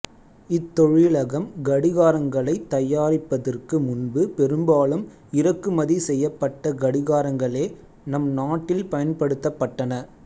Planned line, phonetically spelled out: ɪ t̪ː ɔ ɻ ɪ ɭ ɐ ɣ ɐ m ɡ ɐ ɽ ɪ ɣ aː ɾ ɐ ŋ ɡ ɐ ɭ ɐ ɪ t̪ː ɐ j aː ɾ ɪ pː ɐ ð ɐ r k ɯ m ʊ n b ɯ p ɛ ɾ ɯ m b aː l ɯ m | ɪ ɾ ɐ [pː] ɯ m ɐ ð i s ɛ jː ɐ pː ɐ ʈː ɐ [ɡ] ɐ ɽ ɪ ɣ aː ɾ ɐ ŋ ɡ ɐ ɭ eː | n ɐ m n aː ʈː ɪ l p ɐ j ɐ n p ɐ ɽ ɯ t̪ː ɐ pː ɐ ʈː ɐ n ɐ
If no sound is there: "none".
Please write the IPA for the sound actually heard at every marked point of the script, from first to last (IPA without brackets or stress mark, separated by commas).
kː, ɡ